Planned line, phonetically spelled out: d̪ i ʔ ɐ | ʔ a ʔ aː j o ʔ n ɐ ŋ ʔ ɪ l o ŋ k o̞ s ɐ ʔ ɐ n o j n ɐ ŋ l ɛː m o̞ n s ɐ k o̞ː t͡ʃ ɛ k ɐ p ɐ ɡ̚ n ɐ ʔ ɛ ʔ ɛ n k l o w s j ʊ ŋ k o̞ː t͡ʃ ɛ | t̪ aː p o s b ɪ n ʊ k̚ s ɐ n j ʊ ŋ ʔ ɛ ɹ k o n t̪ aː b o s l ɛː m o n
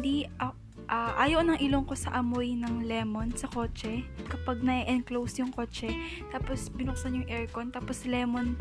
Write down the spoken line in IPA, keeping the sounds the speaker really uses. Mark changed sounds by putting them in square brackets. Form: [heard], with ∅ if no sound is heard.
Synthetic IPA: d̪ i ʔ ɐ | ʔ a ʔ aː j o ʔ n ɐ ŋ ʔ ɪ l o ŋ k o̞ s ɐ ʔ ɐ [m] o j n ɐ ŋ l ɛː m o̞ n s ɐ k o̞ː t͡ʃ ɛ k ɐ p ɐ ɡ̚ n ɐ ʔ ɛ ʔ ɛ n k l o w s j ʊ ŋ k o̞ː t͡ʃ ɛ | t̪ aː p o s b ɪ n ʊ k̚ s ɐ n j ʊ ŋ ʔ ɛ ɹ k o n t̪ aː [p] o s l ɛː m o n